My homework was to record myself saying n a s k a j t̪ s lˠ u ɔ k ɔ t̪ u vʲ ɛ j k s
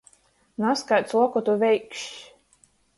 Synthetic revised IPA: n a s k a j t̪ s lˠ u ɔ k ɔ t̪ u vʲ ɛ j k ʃ